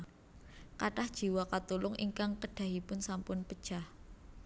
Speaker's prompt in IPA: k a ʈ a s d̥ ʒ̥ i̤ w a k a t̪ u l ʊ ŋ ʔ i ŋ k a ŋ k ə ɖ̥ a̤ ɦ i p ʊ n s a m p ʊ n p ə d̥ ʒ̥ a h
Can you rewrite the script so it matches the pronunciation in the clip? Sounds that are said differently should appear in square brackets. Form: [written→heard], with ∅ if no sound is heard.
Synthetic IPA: k a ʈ a [s→h] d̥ ʒ̥ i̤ w a k a t̪ u l ʊ ŋ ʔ i ŋ k a ŋ k ə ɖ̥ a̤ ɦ i p ʊ n s a m p ʊ n p ə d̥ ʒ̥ a h